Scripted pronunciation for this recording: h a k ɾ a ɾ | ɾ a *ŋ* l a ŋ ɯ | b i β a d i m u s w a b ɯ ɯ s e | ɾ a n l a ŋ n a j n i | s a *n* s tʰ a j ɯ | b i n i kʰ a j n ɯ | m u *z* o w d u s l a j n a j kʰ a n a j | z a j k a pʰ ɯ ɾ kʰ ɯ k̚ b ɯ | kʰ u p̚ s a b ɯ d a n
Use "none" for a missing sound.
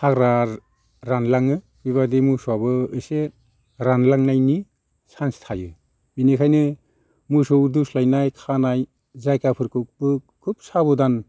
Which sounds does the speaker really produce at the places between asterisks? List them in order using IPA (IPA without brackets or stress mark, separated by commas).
n, n, s